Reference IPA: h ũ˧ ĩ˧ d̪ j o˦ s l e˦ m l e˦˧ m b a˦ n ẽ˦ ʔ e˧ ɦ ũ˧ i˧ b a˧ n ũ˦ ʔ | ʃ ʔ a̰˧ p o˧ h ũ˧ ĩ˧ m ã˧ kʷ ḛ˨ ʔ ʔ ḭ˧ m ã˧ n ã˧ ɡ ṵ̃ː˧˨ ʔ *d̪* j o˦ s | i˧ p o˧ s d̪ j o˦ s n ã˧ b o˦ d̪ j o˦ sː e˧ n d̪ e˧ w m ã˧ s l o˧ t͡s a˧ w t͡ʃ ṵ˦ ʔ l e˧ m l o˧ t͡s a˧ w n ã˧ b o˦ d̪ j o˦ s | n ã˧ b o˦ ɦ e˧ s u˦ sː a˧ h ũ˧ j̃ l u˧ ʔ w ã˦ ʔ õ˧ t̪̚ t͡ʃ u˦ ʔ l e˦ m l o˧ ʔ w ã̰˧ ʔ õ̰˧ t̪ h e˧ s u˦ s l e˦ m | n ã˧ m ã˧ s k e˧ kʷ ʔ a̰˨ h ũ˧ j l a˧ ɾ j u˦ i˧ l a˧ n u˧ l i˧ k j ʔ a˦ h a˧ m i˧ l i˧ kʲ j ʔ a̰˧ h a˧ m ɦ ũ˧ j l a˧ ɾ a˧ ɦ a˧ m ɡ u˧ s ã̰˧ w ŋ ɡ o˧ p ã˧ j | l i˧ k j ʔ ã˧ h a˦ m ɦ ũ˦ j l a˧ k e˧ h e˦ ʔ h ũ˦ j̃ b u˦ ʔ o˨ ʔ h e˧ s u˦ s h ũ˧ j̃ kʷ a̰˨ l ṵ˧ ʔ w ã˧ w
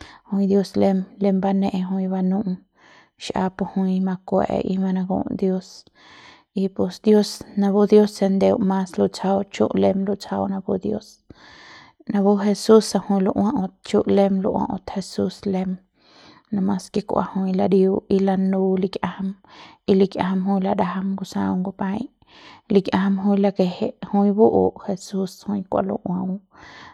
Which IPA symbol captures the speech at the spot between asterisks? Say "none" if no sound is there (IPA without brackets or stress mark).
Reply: d̪